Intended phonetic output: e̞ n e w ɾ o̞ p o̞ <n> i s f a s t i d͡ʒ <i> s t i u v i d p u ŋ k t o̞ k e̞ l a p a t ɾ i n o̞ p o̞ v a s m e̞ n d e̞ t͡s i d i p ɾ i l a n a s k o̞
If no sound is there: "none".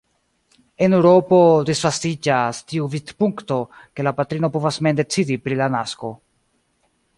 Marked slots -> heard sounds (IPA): d, a

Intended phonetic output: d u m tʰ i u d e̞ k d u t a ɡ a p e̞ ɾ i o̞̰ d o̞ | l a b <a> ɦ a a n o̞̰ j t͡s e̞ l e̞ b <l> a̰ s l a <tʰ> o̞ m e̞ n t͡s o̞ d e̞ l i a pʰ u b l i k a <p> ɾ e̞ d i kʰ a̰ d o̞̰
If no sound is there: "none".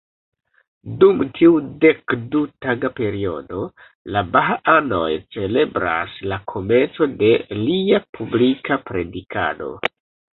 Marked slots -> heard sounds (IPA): a, ɾ, kʰ, p

